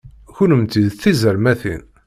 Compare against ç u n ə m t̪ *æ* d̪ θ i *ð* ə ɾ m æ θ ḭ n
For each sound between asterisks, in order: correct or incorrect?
incorrect: i, incorrect: z

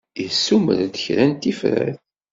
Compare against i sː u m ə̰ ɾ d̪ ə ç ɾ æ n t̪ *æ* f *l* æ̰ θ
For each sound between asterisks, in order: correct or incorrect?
incorrect: i, incorrect: ɾ

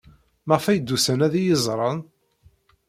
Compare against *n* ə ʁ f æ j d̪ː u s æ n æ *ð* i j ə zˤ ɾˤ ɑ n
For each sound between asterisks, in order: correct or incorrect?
incorrect: m, correct

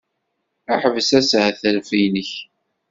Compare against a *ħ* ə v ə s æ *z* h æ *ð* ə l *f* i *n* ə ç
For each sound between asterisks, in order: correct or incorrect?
correct, incorrect: s, incorrect: θ, correct, correct

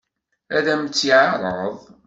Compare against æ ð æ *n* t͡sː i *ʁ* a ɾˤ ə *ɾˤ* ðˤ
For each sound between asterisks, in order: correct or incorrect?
incorrect: m, incorrect: ʕ, incorrect: none

